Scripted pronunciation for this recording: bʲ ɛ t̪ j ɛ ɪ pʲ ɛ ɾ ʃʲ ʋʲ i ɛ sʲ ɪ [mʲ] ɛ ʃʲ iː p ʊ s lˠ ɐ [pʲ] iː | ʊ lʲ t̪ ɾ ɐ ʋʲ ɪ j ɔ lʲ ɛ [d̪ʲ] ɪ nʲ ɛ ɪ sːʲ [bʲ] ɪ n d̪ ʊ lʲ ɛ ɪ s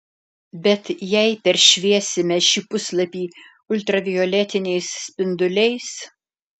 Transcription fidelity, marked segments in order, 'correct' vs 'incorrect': correct, correct, incorrect: t̪ʲ, incorrect: pʲ

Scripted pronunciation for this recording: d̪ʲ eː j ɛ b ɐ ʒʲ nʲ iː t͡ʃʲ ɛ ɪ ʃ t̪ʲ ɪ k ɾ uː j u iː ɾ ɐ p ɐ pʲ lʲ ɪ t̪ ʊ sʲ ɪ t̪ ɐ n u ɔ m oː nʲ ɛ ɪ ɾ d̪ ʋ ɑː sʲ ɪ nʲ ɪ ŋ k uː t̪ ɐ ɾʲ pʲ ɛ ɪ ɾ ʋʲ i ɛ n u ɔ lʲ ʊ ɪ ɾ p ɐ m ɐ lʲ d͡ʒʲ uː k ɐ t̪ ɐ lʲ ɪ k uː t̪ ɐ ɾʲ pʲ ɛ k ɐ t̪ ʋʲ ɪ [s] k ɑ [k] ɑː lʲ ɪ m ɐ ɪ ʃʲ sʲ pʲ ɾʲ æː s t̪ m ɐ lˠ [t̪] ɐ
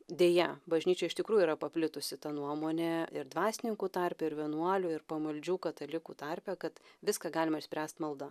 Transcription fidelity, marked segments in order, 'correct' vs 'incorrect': correct, incorrect: ɡ, incorrect: d̪

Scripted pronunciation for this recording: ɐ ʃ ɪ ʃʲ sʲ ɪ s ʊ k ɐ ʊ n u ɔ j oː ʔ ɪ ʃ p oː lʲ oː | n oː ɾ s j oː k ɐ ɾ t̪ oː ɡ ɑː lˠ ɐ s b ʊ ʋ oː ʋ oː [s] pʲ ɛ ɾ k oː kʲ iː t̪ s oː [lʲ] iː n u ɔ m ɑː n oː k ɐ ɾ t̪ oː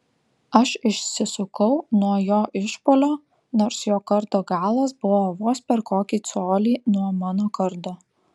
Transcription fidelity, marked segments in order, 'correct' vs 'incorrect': correct, correct

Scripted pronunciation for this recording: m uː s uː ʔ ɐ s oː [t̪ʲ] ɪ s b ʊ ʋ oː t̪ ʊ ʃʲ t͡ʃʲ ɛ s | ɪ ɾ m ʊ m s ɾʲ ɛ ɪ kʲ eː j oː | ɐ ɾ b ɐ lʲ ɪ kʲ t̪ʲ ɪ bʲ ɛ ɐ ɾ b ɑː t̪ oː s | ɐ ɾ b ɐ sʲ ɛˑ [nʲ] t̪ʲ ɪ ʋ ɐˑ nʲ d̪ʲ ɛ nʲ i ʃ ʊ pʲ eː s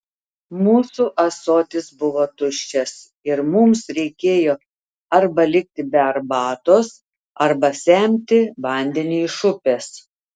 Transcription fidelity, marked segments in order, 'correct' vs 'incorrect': correct, incorrect: mʲ

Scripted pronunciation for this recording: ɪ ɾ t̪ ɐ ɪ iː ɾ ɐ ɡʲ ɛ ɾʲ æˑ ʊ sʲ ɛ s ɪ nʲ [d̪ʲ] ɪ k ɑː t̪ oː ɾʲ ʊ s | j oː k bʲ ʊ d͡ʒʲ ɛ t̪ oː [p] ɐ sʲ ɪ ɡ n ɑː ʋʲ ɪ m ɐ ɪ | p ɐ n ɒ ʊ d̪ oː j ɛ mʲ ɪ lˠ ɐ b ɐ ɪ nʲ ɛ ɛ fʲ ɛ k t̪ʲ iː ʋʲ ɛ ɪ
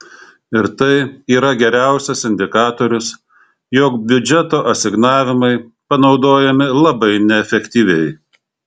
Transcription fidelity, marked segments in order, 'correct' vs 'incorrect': correct, incorrect: ʔ

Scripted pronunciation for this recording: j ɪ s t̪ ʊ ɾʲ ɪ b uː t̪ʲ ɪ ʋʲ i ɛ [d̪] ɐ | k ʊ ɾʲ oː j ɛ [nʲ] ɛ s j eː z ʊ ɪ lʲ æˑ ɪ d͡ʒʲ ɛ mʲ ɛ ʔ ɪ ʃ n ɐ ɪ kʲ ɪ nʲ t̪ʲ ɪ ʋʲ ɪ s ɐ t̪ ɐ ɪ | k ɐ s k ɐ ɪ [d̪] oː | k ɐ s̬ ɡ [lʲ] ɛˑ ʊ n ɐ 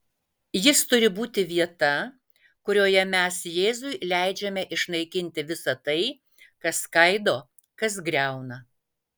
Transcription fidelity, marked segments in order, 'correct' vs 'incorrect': incorrect: t̪, incorrect: mʲ, correct, incorrect: ɾʲ

